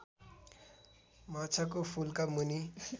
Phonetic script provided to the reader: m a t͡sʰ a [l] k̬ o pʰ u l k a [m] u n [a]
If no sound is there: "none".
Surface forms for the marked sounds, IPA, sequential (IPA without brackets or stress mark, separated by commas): none, m, i